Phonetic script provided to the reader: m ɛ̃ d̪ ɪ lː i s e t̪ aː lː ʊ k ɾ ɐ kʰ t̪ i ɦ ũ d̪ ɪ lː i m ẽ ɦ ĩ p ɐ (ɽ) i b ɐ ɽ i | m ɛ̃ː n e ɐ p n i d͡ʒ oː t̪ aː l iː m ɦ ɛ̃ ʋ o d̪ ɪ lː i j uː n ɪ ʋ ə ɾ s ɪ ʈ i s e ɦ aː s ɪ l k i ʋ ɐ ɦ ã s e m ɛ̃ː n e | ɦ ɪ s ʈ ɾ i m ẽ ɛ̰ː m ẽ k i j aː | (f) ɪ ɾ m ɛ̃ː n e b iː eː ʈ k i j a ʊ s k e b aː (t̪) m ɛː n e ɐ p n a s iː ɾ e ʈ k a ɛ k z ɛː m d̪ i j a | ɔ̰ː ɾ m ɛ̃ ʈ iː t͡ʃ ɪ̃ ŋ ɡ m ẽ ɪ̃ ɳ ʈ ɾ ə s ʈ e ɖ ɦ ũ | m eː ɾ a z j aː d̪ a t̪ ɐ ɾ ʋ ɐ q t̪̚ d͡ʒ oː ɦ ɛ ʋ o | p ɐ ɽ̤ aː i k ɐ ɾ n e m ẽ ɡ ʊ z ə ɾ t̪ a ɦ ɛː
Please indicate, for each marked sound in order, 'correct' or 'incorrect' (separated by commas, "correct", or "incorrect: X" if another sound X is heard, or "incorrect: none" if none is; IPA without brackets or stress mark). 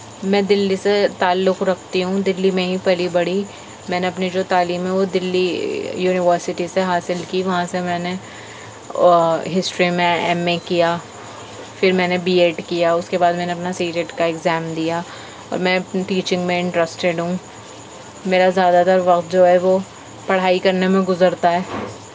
incorrect: l, correct, incorrect: d̪